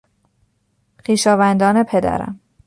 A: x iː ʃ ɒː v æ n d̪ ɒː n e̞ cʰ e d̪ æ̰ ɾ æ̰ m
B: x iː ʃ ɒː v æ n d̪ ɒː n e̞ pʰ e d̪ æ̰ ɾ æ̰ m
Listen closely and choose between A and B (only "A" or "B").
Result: B